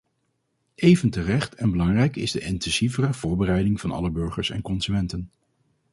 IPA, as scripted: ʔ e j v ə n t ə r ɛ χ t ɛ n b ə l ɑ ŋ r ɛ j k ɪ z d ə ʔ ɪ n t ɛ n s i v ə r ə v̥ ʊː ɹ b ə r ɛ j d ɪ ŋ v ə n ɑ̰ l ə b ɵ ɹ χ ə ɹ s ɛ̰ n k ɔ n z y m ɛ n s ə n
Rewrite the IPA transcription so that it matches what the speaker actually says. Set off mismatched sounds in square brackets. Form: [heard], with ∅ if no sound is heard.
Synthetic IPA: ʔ e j v ə n t ə r ɛ χ t ɛ n b ə l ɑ ŋ r ɛ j k ɪ z d ə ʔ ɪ n t ɛ n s i v ə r ə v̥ ʊː ɹ b ə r ɛ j d ɪ ŋ v [ɑ] n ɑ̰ l ə b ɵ ɹ χ ə ɹ s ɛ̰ n k ɔ n z y m ɛ n [t] ə n